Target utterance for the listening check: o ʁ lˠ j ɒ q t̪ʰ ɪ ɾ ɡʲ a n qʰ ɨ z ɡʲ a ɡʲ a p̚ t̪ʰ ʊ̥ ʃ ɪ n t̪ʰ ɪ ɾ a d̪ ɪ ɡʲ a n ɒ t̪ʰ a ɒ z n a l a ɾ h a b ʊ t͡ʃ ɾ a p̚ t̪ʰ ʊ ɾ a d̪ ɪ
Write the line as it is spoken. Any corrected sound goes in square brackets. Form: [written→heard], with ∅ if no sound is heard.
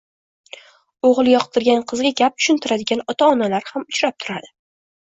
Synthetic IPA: o ʁ lˠ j ɒ q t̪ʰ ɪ ɾ ɡʲ a n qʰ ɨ z ɡʲ a ɡʲ a p̚ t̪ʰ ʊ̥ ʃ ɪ n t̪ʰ ɪ ɾ a d̪ ɪ ɡʲ a n ɒ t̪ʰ a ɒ [z→∅] n a l a ɾ h a [b→m] ʊ t͡ʃ ɾ a p̚ t̪ʰ ʊ ɾ a d̪ ɪ